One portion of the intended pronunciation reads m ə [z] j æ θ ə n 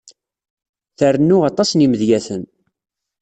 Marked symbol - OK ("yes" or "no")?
no